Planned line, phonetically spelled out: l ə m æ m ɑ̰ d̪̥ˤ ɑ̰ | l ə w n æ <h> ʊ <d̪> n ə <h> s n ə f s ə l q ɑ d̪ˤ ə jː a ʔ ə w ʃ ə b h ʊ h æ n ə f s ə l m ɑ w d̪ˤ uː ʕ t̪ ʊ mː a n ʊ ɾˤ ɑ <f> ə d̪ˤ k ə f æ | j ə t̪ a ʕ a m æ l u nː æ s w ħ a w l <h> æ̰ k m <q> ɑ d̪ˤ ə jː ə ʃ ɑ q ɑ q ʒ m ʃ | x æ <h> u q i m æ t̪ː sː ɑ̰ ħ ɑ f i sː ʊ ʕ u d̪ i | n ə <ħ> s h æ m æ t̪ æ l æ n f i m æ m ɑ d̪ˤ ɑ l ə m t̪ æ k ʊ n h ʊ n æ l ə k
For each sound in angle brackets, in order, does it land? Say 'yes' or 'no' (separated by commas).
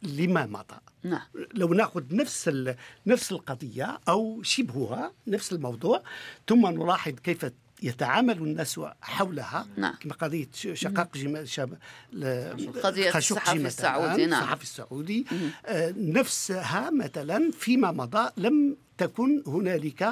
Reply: no, yes, no, no, yes, yes, no, no